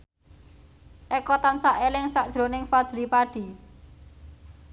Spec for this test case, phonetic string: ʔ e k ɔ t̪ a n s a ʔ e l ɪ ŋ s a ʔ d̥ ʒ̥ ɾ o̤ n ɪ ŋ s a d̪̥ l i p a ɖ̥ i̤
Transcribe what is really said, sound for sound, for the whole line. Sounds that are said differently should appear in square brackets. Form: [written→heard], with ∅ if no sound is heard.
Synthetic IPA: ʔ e k ɔ t̪ a n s a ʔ e l ɪ ŋ s a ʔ d̥ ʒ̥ ɾ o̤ n ɪ ŋ [s→f] a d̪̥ l i p a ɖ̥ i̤